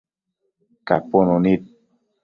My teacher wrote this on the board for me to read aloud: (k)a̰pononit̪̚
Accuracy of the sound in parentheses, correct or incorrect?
correct